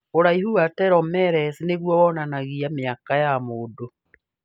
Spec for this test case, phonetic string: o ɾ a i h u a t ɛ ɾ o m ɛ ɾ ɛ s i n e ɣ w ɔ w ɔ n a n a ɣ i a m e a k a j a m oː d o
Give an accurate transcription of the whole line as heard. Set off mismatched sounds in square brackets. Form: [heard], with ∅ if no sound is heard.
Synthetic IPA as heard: o ɾ a i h u a t ɛ ɾ [ɔ] m ɛ ɾ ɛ s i n e ɣ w ɔ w ɔ n a n a ɣ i a m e a k a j a m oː d o